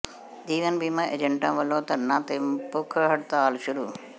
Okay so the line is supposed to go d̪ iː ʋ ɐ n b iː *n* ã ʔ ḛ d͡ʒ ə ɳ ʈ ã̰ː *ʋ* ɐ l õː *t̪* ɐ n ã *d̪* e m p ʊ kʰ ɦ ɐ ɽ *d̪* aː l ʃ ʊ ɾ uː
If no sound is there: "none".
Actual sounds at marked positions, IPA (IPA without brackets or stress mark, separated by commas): m, ʋ, t̪, t̪, t̪